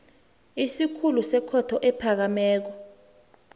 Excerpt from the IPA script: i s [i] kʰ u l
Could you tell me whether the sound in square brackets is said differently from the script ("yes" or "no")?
no